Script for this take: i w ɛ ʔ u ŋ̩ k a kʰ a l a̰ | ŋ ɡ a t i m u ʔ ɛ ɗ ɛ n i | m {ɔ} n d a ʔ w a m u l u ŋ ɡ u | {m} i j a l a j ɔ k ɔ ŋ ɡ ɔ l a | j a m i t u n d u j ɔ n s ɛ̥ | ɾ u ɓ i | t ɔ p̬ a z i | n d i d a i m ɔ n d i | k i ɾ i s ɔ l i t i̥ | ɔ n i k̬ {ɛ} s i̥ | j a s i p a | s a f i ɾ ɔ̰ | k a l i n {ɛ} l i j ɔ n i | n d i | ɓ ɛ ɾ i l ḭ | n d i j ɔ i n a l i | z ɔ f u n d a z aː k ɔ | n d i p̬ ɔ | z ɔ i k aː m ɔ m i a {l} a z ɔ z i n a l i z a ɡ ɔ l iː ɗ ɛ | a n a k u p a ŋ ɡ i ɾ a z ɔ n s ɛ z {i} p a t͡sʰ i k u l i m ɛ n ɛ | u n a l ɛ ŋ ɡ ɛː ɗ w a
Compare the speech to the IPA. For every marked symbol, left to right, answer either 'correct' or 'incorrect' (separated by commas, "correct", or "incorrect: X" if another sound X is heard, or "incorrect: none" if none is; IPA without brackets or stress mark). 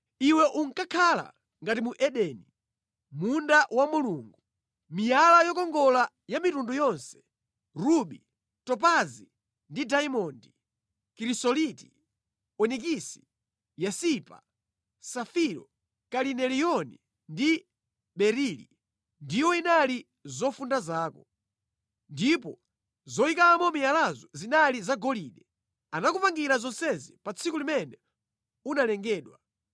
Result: incorrect: u, correct, incorrect: i, correct, correct, correct